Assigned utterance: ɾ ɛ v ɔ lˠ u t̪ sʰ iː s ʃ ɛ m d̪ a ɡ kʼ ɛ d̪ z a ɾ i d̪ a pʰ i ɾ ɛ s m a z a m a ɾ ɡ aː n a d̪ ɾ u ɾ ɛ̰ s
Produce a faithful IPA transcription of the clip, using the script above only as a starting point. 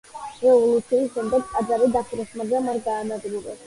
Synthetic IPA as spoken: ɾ ɛ v ɔ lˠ u t̪ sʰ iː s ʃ ɛ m d̪ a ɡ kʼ a d̪ z a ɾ i d̪ a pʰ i ɾ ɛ s m a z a m a ɾ ɡ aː n a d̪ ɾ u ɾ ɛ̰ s